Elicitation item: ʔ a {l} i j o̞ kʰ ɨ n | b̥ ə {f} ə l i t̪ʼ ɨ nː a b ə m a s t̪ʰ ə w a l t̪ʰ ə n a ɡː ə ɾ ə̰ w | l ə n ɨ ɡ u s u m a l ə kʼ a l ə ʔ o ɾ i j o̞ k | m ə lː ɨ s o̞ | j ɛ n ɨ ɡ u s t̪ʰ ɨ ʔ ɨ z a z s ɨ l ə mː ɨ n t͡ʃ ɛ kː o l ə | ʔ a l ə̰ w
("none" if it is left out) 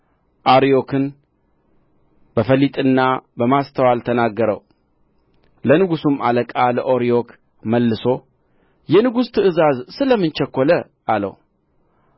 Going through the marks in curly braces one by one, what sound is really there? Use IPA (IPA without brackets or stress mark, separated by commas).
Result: ɾ, f